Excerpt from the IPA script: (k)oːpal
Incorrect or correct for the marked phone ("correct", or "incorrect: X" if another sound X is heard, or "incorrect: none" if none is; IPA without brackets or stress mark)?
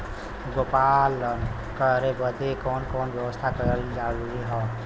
incorrect: ɡ